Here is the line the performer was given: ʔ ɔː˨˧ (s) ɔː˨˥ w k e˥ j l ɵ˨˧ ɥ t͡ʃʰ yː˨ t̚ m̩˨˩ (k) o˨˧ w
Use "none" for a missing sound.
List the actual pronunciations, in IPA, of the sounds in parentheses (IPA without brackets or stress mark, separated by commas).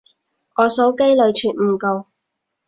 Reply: s, k